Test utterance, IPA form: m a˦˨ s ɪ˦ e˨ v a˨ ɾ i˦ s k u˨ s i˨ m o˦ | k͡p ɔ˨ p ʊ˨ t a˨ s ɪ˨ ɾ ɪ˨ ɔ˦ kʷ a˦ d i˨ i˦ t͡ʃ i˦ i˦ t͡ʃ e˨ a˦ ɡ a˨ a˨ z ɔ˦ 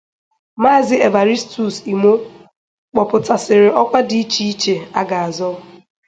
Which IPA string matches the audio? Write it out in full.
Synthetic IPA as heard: m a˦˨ z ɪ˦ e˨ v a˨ ɾ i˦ s t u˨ s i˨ m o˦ | k͡p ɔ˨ p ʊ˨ t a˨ s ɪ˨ ɾ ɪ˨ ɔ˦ kʷ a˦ d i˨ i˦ t͡ʃ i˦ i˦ t͡ʃ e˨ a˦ ɡ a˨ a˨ z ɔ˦

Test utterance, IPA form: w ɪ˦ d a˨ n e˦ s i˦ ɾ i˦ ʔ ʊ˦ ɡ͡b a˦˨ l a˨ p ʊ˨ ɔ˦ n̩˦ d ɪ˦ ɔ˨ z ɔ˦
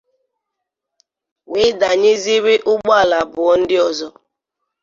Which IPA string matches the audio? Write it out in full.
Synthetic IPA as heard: w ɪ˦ d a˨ ɲ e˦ z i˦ ɾ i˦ ʔ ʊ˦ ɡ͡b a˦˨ l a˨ b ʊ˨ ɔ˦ n̩˦ d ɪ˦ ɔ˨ z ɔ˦

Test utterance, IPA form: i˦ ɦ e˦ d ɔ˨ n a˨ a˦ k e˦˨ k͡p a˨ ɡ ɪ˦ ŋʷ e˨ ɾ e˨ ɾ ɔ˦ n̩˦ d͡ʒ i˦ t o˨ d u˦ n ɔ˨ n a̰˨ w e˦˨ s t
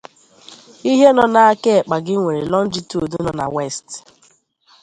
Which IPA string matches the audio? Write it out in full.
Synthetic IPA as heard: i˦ ɦ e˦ n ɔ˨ n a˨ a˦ k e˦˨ k͡p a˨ ɡ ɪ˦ ŋʷ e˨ ɾ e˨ l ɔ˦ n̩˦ d͡ʒ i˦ t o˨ d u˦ n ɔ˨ n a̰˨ w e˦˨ s t

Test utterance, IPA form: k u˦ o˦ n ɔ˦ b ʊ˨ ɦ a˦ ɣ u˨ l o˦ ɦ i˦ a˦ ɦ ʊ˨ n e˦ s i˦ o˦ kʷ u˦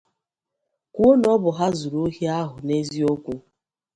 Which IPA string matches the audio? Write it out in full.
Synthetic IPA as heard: k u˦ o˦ n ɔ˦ b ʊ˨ ɦ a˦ z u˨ ɾ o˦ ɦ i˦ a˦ ɦ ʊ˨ n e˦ z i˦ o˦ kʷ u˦

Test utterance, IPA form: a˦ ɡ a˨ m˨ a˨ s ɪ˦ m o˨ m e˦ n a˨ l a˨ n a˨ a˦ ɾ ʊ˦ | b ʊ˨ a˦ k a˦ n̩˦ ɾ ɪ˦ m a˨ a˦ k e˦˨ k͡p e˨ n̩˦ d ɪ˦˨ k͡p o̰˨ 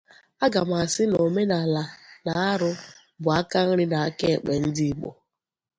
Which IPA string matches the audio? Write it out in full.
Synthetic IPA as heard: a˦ ɡ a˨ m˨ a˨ s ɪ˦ n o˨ m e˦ n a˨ l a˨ n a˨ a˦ ɾ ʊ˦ | b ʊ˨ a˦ k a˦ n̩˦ ɾ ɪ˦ n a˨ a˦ k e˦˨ k͡p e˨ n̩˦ d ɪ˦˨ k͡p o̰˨

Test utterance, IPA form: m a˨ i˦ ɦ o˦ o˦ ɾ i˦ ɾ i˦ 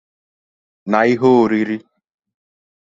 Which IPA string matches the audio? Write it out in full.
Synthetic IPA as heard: n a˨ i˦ ɦ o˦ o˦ ɾ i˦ ɾ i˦

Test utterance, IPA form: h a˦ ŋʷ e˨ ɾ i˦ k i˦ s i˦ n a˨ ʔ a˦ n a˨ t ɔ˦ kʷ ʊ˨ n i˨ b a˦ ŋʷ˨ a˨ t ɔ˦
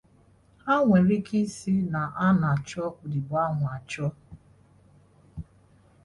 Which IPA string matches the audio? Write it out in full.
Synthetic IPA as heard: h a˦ ŋʷ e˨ ɾ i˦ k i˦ s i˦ n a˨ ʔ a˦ n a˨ t͡ʃ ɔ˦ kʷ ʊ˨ d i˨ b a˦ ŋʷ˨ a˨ t͡ʃ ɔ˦

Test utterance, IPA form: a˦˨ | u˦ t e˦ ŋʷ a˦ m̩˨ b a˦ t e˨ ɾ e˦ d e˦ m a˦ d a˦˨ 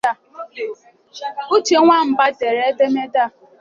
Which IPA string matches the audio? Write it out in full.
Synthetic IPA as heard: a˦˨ | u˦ t͡ʃ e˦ ŋʷ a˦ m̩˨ b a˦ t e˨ ɾ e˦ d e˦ m e˦ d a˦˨

